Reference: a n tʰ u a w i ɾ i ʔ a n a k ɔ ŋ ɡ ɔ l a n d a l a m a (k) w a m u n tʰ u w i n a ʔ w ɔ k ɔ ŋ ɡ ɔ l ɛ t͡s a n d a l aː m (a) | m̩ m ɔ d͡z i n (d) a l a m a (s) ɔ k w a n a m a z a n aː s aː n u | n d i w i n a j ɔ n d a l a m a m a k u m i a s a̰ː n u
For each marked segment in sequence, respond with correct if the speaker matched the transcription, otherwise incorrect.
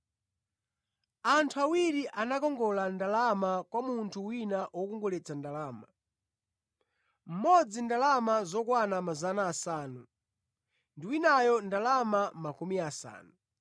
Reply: correct, correct, correct, incorrect: z

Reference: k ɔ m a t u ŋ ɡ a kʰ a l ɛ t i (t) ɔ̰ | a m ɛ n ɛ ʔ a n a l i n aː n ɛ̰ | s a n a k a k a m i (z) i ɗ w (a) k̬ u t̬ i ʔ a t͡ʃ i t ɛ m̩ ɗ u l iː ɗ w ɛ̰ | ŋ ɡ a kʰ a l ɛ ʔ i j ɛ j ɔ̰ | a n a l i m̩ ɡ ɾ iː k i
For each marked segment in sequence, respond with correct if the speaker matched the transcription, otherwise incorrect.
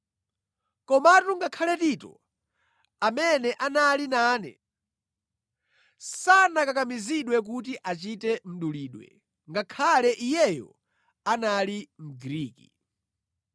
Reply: correct, correct, incorrect: ɛ

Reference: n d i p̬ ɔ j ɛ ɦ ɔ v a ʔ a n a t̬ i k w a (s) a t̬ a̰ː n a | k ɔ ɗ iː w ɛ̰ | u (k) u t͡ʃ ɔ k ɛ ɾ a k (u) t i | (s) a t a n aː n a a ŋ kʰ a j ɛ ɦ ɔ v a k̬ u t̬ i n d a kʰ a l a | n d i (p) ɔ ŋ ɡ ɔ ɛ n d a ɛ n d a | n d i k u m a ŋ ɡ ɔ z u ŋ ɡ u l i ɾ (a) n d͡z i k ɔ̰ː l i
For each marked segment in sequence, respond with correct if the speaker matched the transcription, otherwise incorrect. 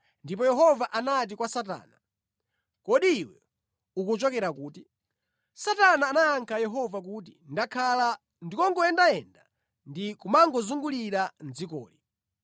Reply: correct, correct, incorrect: uː, correct, incorrect: k, correct

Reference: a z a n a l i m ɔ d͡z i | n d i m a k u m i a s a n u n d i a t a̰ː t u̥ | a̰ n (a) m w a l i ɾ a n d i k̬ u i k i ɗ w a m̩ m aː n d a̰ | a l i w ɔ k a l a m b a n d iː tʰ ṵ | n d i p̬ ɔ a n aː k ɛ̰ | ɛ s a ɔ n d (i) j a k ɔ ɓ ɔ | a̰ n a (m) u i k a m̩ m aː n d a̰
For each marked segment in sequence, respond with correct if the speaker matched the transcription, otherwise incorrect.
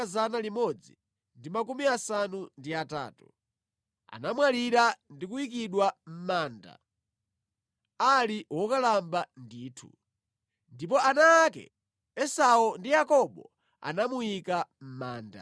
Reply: correct, correct, correct

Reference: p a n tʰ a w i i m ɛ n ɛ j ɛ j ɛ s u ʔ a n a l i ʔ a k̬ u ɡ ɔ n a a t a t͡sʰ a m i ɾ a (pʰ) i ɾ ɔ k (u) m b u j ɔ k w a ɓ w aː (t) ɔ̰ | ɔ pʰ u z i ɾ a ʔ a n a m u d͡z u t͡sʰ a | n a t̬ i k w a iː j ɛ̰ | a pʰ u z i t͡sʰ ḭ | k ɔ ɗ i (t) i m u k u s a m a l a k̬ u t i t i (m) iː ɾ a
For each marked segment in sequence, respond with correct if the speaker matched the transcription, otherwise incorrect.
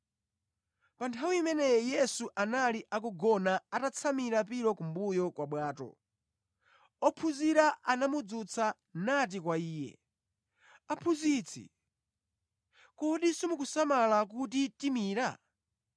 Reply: incorrect: p, correct, correct, incorrect: s, correct

